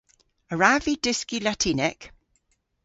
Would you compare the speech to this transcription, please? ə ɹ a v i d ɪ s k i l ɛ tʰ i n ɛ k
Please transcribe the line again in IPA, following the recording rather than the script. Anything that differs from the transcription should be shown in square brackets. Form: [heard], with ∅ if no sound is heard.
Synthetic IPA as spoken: ə ɹ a v i d ɪ s k i l [a] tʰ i n ɛ k